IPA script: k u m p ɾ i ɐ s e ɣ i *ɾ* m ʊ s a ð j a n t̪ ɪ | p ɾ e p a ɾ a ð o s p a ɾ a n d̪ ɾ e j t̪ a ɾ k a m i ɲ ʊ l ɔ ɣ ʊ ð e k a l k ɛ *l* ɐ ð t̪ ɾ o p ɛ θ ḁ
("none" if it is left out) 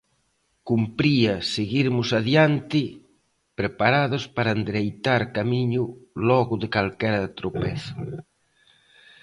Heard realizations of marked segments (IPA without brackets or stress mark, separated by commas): ɾ, ɾ